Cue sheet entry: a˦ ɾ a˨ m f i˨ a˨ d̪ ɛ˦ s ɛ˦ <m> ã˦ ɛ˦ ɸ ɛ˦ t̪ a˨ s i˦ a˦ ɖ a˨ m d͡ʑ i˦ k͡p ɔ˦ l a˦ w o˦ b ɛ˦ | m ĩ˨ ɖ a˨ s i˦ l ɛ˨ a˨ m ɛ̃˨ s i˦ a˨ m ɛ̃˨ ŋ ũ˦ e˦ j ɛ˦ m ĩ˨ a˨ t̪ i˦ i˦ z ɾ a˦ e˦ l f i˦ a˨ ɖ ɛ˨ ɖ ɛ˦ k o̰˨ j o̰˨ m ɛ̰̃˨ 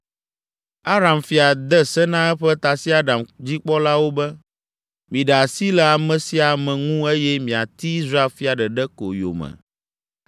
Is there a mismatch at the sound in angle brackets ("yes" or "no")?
yes